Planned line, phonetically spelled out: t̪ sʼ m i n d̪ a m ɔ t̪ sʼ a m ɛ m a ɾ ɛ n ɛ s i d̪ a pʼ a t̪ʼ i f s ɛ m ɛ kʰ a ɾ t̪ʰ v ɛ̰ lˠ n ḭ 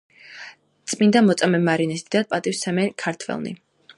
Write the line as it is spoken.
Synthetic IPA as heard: t̪ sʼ m i n d̪ a m ɔ t̪ sʼ a m ɛ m a ɾ i n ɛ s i d̪ a pʼ a t̪ʼ i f s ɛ m ɛ kʰ a ɾ t̪ʰ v ɛ̰ lˠ n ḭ